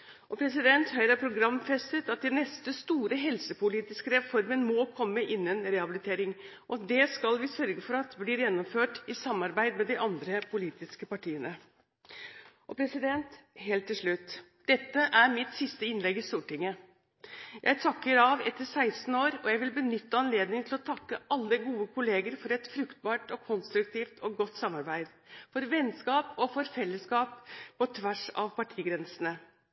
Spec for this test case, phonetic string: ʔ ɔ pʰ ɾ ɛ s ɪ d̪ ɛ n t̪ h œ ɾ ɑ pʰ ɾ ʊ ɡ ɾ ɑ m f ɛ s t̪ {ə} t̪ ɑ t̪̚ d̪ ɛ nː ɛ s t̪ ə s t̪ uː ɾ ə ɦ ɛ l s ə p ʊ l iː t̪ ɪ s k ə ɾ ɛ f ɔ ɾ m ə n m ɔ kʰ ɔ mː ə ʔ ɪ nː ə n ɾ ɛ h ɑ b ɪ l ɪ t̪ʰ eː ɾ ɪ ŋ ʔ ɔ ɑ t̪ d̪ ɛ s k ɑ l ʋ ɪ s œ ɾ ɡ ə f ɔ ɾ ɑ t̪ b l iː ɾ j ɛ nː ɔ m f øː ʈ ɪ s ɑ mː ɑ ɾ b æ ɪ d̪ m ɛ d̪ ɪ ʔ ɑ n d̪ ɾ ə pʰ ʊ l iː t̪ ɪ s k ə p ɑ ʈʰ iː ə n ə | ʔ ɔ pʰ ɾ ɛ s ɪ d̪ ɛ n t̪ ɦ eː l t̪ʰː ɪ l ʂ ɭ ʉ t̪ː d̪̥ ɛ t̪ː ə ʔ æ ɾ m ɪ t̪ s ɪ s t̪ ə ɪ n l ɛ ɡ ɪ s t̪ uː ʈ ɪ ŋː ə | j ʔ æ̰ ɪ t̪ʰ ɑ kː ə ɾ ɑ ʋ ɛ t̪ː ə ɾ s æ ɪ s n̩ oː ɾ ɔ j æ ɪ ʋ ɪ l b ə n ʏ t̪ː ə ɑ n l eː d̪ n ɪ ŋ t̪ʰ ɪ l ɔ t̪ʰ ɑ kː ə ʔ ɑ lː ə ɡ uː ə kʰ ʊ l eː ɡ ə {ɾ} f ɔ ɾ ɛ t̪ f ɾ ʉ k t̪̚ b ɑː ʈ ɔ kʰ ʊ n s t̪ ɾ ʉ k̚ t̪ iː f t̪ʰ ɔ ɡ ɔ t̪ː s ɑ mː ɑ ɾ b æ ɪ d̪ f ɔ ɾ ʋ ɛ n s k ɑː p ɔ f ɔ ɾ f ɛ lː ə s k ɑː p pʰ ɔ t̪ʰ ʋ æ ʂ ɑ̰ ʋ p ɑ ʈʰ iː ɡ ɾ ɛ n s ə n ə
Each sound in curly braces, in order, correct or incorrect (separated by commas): correct, correct